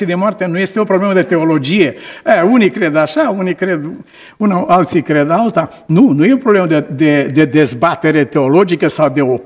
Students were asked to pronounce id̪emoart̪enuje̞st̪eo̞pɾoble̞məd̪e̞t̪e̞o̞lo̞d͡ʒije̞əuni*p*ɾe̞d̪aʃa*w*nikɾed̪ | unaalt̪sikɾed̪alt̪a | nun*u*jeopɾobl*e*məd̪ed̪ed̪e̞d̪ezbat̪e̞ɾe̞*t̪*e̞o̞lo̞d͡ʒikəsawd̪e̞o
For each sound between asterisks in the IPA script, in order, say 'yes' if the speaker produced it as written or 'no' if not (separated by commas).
no, no, yes, yes, yes